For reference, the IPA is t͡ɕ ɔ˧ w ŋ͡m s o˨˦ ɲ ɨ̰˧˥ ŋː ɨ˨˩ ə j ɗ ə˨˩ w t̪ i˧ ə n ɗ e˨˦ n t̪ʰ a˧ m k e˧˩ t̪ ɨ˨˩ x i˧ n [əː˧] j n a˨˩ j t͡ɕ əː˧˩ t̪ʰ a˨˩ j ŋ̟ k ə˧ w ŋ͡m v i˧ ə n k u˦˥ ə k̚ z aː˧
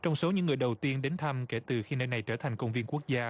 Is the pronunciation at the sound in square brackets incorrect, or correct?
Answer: correct